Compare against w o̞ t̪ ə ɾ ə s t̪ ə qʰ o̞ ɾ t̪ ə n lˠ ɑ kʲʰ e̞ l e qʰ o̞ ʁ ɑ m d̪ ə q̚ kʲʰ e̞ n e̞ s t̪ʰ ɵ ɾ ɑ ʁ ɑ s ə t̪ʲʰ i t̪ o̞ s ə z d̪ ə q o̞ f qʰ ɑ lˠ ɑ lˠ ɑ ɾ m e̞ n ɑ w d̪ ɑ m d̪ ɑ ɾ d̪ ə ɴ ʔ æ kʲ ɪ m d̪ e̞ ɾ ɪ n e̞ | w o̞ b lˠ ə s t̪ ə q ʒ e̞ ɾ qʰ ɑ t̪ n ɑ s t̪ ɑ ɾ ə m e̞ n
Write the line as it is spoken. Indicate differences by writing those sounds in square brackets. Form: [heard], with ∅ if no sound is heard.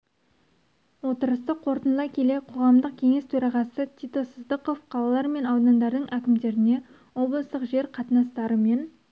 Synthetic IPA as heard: w o̞ t̪ ə ɾ ə s t̪ ə qʰ o̞ ɾ t̪ ə n lˠ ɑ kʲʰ e̞ l e qʰ o̞ ʁ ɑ m d̪ ə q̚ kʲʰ e̞ [ŋ] e̞ s t̪ʰ ɵ ɾ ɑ ʁ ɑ s ə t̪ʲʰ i t̪ o̞ s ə z d̪ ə q o̞ f qʰ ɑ lˠ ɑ lˠ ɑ ɾ m e̞ n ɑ w d̪ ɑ [n] d̪ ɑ ɾ d̪ ə ɴ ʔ æ kʲ ɪ m d̪ e̞ ɾ ɪ n e̞ | w o̞ b lˠ ə s t̪ ə q ʒ e̞ ɾ qʰ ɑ t̪ n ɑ s t̪ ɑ ɾ ə m e̞ n